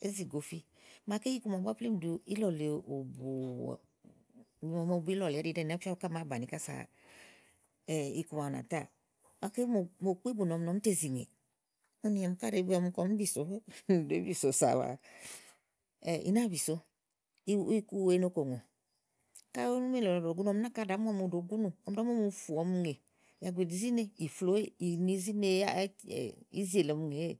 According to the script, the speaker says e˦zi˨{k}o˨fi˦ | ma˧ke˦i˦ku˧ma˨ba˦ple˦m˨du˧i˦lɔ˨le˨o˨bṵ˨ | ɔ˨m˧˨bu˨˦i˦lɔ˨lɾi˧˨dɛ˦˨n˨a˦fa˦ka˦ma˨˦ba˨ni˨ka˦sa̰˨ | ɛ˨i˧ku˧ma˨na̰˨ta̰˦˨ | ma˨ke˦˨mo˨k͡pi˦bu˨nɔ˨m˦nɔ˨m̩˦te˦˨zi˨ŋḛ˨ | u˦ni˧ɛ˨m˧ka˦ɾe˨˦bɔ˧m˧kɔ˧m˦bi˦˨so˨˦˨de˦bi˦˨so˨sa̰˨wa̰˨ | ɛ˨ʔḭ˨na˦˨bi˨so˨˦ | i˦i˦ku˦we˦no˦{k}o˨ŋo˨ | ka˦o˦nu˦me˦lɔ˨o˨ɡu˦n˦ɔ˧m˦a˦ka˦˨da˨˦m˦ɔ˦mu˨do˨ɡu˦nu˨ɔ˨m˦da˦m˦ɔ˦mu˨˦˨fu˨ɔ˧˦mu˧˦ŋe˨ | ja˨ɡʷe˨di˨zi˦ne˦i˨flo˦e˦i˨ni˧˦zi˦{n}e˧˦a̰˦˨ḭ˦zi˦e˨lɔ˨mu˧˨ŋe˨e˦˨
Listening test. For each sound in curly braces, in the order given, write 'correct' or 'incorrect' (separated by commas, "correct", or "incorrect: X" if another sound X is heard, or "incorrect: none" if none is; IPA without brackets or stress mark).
incorrect: ɡ, correct, correct